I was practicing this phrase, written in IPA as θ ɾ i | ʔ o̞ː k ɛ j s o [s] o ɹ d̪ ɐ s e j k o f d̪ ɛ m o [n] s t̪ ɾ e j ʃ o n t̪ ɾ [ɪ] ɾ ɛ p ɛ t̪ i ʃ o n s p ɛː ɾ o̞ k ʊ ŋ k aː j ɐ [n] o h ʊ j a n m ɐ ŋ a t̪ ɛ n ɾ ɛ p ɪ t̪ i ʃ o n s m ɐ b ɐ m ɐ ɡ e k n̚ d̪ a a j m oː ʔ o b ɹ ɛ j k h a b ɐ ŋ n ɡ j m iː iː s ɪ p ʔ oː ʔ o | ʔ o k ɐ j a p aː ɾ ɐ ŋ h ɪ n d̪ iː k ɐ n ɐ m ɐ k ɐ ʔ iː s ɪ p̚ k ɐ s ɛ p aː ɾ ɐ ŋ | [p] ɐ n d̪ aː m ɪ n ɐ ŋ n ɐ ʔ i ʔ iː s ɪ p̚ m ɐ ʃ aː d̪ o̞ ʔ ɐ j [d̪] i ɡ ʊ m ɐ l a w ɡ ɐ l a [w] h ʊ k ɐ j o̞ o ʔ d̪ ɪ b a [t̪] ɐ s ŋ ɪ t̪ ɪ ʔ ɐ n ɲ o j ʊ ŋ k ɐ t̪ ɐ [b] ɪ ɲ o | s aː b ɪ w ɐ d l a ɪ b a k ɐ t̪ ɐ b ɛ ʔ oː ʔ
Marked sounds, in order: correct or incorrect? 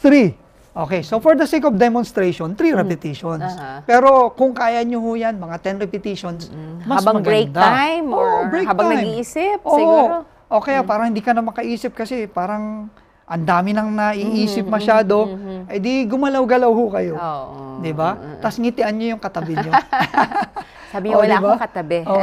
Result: incorrect, correct, incorrect, incorrect, incorrect, correct, correct, correct, correct

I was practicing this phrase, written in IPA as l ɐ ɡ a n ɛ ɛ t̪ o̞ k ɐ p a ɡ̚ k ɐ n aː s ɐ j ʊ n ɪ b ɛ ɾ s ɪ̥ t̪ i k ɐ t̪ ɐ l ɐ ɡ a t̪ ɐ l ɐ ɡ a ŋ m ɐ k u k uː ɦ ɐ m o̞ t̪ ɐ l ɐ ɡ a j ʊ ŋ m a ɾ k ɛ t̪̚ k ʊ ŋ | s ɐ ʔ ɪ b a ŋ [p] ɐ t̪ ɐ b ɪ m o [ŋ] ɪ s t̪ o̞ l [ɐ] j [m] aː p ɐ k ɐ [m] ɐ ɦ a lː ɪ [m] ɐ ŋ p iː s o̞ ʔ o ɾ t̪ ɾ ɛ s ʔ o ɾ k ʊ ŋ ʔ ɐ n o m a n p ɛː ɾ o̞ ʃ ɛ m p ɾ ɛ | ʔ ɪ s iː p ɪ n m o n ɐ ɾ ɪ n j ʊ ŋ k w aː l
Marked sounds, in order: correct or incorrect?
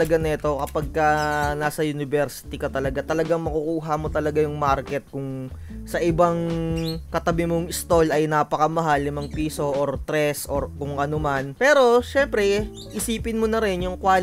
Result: incorrect, correct, correct, incorrect, correct, correct

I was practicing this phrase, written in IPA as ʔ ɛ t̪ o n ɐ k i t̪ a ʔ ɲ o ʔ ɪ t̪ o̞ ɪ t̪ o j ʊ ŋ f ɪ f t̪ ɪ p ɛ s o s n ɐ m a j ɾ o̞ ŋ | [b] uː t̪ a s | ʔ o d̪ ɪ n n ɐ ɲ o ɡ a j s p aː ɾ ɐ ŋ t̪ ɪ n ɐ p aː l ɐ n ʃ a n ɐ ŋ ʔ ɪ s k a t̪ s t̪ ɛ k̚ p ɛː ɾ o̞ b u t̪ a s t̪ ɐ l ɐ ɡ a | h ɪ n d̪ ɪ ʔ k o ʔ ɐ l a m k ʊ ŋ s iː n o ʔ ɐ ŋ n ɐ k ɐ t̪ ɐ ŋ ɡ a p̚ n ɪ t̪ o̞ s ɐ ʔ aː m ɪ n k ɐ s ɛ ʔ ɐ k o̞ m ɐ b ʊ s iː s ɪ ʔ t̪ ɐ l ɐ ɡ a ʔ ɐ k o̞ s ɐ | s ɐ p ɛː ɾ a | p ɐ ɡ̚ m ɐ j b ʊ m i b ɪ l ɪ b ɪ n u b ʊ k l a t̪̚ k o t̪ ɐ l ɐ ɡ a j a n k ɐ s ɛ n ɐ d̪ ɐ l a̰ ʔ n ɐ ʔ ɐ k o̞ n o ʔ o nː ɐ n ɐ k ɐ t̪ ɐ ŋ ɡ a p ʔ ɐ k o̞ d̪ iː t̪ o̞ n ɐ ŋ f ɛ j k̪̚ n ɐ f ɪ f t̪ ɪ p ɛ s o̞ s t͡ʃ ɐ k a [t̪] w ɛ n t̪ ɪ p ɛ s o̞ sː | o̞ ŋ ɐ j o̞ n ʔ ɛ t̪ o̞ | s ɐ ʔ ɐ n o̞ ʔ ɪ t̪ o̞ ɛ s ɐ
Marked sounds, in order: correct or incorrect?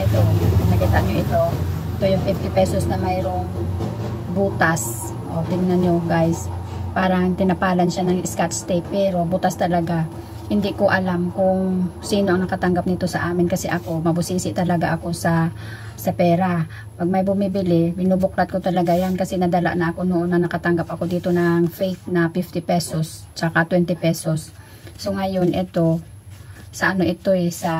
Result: correct, correct

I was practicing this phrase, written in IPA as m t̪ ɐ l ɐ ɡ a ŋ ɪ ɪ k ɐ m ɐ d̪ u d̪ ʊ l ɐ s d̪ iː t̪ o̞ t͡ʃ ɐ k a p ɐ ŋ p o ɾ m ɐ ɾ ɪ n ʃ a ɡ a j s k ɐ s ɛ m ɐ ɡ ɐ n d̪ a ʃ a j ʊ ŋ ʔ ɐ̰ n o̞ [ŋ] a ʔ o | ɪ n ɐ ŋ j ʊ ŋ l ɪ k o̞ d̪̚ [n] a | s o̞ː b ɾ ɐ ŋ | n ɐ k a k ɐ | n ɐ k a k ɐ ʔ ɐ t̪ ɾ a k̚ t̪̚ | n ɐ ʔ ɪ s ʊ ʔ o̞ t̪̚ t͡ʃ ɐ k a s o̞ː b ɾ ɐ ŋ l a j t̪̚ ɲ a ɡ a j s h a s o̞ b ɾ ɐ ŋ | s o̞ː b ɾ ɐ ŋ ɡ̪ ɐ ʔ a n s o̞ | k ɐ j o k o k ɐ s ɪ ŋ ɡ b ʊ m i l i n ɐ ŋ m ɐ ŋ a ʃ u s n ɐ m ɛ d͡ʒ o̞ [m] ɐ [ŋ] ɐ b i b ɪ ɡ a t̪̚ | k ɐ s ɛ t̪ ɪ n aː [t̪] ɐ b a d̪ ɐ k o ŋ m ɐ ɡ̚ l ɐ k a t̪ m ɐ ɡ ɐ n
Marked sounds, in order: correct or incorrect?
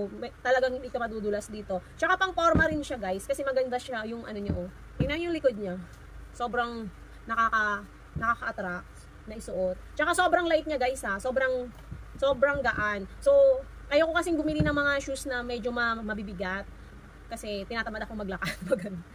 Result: incorrect, incorrect, correct, incorrect, correct

